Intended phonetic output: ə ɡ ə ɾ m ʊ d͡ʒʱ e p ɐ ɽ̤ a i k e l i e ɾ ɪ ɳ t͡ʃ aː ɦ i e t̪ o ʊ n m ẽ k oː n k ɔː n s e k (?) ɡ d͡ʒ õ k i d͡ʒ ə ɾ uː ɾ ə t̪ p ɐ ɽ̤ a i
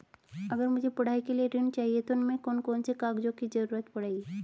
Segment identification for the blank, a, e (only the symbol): a